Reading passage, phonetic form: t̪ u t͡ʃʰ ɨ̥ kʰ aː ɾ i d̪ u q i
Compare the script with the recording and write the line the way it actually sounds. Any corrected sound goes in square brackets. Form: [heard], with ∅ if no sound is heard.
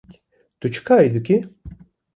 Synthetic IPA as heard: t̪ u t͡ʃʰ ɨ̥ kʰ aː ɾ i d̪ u [k] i